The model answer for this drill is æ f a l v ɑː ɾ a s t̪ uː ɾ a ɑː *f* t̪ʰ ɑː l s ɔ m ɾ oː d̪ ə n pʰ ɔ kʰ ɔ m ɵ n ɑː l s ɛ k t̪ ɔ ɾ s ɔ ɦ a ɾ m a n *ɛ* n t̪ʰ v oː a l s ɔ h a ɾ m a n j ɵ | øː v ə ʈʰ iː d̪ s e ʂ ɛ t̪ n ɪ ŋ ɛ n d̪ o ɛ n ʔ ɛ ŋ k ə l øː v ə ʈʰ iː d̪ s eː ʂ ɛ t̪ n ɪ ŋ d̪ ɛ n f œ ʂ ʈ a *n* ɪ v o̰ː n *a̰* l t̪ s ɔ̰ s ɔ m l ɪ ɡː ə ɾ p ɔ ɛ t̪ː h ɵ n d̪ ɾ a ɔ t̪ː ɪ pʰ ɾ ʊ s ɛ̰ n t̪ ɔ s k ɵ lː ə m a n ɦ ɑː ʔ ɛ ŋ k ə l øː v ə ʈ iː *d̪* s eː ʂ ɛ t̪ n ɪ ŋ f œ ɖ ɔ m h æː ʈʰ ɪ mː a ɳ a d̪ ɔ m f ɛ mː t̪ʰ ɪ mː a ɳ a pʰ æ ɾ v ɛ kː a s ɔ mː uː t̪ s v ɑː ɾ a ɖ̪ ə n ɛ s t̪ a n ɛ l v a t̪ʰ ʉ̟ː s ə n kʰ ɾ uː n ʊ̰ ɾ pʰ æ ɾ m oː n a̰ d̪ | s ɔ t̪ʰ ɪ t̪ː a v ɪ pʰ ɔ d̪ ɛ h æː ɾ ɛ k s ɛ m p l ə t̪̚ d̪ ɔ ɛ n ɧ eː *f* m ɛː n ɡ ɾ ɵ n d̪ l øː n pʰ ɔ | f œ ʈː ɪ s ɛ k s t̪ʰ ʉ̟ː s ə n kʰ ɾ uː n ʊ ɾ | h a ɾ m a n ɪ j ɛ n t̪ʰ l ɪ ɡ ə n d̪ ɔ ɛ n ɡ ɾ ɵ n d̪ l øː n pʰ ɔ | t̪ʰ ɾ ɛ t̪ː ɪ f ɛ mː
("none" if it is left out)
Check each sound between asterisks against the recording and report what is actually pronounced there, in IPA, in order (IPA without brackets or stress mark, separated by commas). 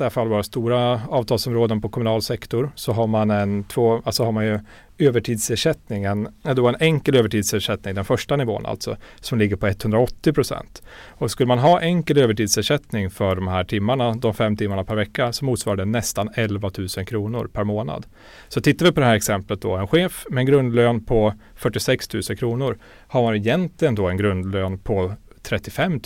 v, ɛ, n, a̰, d̪, f